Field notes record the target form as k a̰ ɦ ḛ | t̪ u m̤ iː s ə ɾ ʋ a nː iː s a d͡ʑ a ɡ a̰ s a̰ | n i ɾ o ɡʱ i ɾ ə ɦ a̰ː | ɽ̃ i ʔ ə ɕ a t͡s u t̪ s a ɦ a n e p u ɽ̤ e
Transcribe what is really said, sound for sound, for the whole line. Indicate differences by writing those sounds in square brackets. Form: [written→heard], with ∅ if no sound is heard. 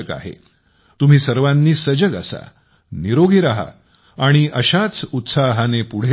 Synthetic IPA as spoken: k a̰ ɦ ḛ | t̪ u m̤ iː s ə ɾ ʋ a nː iː s [a→ə] d͡ʑ [a→ə] ɡ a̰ s a̰ | n i ɾ o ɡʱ i ɾ [ə→a] ɦ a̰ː | ɽ̃ i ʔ ə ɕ a t͡s u t̪ s a ɦ a n e p u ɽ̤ e